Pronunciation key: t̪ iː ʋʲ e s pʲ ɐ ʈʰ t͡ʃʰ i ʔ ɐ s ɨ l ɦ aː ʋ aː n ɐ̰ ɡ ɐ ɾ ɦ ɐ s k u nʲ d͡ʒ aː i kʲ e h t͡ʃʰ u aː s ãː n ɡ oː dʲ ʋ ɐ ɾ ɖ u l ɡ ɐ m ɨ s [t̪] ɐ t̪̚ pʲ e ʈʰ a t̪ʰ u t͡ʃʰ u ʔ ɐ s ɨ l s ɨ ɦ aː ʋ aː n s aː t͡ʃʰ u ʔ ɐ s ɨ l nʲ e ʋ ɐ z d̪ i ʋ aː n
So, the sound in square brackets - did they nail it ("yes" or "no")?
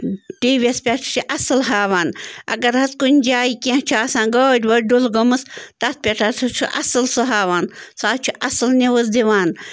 yes